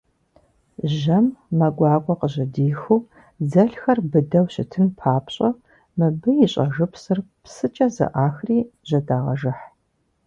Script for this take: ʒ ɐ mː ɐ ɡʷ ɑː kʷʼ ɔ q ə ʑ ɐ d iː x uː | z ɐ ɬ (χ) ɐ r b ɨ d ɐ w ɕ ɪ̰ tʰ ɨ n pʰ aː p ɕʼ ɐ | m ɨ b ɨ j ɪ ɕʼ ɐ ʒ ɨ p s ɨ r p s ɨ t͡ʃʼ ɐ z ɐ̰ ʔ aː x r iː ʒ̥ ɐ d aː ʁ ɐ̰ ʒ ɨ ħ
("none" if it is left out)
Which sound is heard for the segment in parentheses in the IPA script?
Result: x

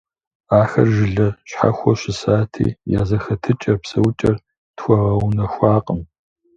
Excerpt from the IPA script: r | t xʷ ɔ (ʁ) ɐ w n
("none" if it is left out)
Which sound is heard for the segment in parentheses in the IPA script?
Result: ʁ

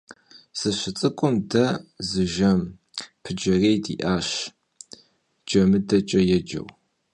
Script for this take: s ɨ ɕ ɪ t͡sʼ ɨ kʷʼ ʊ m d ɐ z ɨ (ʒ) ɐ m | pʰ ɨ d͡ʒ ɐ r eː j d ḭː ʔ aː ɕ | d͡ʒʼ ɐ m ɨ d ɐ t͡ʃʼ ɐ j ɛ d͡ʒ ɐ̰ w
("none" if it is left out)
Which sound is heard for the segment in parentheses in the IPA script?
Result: ʒ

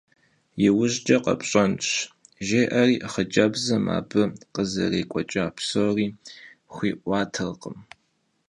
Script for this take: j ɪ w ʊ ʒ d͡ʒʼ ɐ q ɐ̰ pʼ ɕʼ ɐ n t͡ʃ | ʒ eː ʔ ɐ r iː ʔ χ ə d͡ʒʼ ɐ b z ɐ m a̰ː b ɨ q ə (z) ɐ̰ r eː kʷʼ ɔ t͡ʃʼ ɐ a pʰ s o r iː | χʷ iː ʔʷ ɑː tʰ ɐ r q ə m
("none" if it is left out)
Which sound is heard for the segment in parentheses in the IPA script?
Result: z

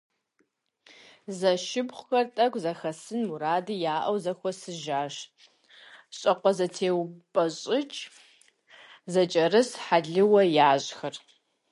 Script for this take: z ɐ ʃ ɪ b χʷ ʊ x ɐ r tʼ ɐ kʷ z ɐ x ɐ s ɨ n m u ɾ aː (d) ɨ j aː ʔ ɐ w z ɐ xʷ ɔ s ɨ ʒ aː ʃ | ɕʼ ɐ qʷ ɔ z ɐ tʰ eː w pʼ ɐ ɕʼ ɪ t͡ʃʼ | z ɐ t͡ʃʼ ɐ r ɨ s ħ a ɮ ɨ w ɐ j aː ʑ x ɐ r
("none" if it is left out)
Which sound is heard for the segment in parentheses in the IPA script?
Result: d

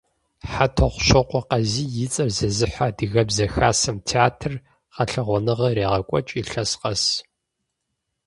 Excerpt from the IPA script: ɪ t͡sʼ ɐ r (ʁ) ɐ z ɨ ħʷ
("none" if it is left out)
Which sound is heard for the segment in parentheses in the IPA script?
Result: z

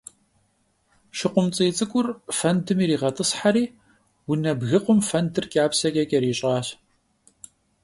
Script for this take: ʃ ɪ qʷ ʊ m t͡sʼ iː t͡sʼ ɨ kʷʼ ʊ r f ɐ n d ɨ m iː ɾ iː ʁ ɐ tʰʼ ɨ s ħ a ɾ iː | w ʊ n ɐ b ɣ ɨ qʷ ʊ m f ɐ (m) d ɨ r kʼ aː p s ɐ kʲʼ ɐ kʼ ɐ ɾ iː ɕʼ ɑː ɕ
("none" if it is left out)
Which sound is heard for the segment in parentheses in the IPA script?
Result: n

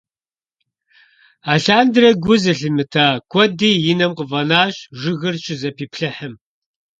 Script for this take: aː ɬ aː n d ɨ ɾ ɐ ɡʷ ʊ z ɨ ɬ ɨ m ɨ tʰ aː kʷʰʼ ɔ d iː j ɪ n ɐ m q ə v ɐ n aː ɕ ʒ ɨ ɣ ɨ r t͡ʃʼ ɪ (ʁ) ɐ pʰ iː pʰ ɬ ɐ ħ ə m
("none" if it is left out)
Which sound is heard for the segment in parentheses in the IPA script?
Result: z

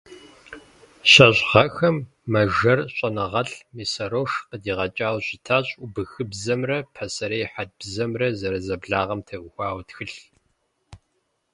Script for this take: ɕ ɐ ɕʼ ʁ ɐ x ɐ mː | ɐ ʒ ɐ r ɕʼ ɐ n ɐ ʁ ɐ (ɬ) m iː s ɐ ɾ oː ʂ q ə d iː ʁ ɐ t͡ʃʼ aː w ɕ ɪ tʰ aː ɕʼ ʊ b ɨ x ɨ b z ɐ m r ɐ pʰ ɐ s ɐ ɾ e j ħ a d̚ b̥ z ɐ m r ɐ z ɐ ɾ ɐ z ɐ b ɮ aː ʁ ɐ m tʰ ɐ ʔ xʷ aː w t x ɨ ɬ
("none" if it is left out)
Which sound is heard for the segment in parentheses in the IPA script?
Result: ɬ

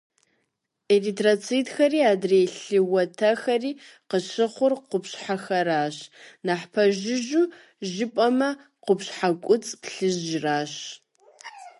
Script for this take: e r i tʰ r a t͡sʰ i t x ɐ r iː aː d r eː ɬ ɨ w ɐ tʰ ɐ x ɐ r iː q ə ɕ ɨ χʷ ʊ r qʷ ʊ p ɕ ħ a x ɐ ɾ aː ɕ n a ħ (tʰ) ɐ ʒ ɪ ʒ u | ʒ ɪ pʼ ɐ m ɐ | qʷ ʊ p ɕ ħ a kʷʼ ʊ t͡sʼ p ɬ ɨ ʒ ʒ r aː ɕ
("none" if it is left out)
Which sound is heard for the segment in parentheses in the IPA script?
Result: pʰ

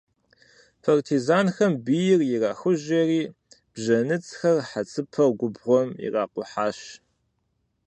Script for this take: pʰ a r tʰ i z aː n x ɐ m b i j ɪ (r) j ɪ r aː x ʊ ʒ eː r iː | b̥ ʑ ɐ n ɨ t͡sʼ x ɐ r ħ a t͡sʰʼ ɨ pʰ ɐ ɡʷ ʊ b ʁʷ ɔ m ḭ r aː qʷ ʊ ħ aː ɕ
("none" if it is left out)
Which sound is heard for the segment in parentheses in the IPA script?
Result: r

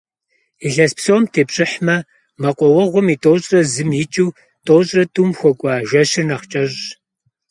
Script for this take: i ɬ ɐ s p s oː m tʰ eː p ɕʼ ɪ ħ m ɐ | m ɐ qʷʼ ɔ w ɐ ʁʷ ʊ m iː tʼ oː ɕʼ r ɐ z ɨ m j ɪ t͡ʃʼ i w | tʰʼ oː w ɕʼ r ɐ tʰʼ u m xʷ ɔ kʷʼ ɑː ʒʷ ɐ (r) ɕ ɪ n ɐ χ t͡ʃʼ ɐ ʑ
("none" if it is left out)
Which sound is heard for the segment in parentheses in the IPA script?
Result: none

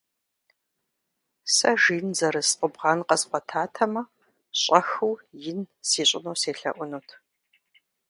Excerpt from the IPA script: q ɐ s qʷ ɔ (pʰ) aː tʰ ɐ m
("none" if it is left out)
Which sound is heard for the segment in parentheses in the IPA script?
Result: tʰ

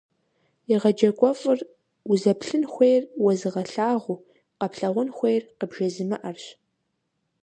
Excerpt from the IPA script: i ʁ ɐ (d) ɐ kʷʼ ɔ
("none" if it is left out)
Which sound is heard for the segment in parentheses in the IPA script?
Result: d͡ʒ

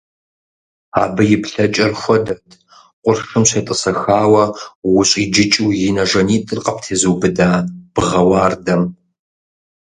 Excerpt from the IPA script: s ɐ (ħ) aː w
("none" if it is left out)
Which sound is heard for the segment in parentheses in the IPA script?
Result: x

